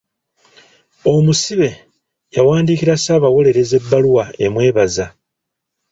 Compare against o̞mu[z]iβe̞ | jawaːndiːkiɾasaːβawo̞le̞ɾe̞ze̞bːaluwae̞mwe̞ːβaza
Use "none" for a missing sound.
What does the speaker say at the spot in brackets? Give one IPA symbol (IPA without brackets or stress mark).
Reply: s